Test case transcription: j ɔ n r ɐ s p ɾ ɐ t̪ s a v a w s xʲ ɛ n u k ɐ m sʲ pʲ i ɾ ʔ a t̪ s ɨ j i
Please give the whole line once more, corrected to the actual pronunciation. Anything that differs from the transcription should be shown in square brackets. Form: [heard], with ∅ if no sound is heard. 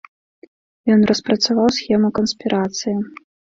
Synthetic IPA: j ɔ n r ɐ s p ɾ ɐ t̪ s a v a w s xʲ ɛ [m] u k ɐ [n] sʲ pʲ i ɾ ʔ a t̪ s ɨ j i